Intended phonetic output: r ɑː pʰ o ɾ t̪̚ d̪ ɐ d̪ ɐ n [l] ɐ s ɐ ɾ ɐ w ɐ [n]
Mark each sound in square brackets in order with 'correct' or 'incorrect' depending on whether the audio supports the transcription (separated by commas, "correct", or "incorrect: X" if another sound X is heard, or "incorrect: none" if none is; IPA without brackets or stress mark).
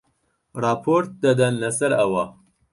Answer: correct, incorrect: none